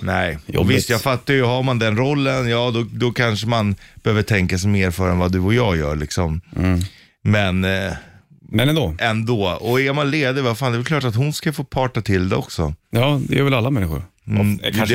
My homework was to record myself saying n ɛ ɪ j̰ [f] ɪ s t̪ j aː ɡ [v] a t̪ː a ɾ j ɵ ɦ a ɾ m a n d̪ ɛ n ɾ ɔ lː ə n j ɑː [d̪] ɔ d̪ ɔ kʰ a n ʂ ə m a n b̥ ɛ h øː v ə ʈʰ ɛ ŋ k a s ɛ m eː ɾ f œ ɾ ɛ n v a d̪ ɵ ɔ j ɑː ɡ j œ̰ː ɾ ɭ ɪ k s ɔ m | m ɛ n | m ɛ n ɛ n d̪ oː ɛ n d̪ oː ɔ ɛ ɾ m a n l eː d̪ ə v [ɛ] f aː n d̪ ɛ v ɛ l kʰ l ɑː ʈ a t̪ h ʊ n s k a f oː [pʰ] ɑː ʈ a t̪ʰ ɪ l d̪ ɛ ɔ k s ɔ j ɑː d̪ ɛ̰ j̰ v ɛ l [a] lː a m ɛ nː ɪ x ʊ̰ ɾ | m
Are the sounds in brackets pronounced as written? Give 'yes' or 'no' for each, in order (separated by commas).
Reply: no, no, yes, no, yes, yes